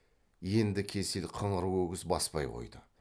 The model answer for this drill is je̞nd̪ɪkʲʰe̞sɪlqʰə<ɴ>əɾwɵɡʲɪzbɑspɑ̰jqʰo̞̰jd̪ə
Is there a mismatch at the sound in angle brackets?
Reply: no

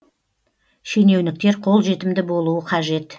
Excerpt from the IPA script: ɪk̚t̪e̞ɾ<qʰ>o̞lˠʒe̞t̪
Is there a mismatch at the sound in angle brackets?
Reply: no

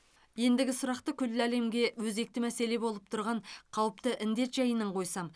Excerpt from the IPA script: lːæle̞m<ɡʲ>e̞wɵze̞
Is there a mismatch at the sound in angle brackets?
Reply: no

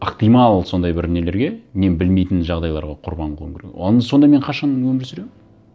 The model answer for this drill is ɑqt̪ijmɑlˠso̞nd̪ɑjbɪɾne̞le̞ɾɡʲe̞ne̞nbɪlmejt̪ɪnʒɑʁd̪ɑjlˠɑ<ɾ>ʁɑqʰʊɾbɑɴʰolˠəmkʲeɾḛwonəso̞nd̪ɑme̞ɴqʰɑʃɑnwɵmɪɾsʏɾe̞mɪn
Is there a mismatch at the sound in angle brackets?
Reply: no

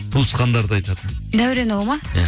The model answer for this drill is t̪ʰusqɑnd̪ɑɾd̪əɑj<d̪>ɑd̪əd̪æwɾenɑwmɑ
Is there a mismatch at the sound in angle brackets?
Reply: yes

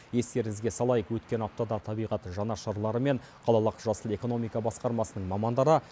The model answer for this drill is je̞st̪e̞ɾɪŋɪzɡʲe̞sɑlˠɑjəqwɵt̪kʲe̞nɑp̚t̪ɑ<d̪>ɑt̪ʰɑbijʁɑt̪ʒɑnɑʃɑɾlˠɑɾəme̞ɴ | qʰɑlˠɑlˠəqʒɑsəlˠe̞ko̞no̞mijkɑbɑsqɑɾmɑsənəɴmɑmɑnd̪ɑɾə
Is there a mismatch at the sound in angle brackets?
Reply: no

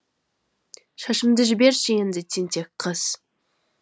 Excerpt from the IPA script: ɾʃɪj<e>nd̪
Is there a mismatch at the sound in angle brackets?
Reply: no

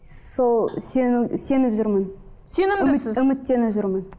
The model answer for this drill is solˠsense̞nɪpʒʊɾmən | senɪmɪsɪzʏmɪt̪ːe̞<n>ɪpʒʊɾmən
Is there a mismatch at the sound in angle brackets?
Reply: no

